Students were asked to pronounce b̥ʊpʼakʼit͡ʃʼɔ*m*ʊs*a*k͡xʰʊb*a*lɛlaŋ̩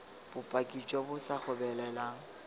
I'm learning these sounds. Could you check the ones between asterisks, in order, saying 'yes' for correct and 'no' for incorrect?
no, yes, no

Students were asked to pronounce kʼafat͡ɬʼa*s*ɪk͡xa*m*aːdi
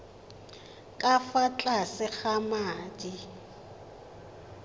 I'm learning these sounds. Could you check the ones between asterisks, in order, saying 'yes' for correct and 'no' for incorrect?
yes, yes

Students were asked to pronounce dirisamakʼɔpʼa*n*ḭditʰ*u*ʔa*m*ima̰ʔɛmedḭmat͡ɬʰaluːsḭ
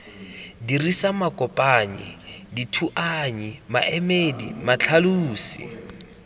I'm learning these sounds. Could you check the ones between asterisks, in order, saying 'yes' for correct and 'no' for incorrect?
no, yes, no

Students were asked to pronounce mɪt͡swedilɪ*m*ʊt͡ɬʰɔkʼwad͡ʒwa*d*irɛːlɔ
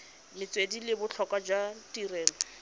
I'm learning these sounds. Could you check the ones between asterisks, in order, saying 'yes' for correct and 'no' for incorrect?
no, no

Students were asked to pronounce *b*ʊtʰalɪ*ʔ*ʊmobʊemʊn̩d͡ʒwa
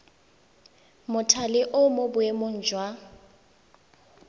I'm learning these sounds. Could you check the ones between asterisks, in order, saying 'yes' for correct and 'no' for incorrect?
no, yes

